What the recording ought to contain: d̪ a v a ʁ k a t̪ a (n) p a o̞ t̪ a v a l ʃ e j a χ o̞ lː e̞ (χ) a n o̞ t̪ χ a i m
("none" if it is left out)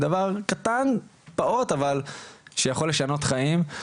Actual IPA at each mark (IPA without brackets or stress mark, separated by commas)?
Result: n, ʃ